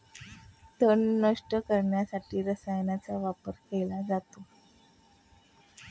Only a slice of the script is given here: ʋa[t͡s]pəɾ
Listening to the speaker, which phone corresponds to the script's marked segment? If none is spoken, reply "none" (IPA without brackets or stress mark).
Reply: none